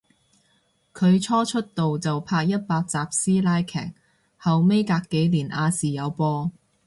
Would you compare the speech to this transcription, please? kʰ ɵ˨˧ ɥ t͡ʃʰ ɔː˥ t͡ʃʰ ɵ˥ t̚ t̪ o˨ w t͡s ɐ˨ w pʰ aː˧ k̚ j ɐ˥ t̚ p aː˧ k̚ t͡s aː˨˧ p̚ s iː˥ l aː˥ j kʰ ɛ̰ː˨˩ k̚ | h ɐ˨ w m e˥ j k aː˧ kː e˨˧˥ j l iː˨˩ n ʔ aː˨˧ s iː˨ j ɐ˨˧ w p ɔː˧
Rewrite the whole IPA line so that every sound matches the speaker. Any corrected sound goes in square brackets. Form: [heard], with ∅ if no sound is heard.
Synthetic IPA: kʰ ɵ˨˧ ɥ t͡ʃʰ ɔː˥ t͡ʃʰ ɵ˥ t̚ t̪ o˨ w t͡s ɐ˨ w pʰ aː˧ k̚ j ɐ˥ t̚ p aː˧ k̚ t͡s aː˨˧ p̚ s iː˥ l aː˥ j kʰ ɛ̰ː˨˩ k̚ | h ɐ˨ w m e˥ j k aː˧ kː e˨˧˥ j l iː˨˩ n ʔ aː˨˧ s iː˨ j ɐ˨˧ w p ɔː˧

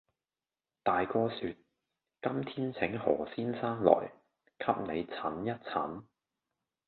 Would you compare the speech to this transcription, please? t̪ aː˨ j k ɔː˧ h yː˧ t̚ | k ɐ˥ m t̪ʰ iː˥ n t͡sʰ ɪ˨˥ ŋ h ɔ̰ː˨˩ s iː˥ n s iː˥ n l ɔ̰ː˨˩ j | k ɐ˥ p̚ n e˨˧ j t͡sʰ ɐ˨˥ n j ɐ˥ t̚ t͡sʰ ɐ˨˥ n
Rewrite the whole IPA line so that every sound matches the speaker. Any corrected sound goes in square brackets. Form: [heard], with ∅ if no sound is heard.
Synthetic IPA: t̪ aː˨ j k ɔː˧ [s] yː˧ t̚ | k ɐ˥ m t̪ʰ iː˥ n t͡sʰ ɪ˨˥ ŋ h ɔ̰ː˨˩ s iː˥ n s [aː˥] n l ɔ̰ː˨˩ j | [kʰ] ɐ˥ p̚ n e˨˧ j t͡sʰ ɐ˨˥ n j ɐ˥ t̚ t͡sʰ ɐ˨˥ n

